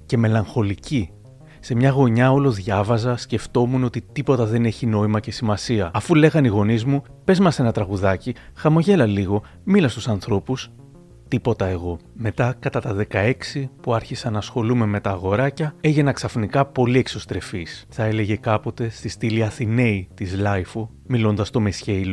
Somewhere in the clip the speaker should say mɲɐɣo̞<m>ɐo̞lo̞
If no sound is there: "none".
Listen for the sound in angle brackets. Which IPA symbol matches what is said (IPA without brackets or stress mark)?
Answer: ɲ